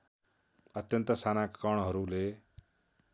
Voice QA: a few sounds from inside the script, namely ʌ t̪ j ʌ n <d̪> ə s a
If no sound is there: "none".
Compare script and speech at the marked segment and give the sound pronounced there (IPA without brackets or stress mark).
t̪